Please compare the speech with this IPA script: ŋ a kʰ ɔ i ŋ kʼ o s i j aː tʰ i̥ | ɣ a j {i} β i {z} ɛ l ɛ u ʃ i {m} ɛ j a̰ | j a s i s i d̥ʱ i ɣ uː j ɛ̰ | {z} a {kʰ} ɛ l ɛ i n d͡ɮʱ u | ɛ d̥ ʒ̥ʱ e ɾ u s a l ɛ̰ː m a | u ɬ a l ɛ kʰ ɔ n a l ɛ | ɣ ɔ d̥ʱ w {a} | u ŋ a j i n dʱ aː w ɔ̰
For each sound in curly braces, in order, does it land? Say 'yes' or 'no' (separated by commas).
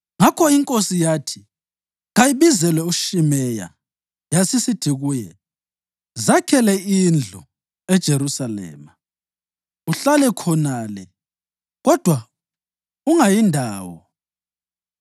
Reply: yes, yes, yes, yes, yes, yes